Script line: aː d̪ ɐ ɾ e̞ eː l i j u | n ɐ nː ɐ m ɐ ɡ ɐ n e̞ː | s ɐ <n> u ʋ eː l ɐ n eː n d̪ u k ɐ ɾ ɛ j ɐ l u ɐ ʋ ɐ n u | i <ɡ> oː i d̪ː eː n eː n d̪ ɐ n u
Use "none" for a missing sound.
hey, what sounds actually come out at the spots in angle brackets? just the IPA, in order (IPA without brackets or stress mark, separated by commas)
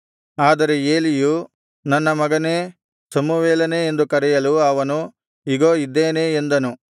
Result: m, ɡ